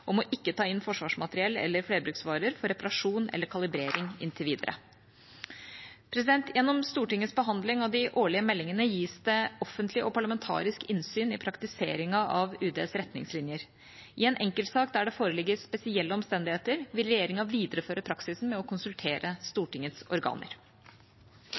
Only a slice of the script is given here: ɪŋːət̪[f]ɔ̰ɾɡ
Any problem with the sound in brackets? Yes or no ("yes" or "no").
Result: yes